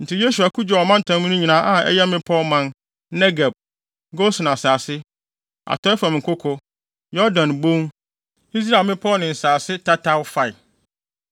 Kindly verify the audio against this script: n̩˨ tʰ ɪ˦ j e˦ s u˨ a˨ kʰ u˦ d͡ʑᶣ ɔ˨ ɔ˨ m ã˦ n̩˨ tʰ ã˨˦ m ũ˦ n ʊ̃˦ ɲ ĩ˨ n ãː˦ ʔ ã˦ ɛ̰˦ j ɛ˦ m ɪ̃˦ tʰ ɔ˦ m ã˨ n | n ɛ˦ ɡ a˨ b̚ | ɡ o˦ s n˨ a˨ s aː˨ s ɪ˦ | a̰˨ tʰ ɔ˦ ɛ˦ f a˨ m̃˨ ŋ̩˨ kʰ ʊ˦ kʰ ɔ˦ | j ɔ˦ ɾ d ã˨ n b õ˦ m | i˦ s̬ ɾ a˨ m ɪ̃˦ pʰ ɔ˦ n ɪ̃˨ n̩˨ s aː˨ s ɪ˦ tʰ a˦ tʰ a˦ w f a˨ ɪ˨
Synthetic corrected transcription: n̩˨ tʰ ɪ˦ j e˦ s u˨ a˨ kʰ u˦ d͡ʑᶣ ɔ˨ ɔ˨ m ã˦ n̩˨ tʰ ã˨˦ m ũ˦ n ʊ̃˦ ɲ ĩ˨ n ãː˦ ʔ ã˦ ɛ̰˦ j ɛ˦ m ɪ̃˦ pʰ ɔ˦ m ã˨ n | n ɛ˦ ɡ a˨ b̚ | ɡ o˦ s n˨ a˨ s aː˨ s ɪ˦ | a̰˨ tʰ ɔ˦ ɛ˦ f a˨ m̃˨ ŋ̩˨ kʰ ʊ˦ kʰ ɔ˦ | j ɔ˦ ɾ d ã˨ n b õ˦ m | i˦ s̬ ɾ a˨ m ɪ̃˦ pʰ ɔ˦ n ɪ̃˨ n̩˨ s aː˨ s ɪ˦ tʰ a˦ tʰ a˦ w f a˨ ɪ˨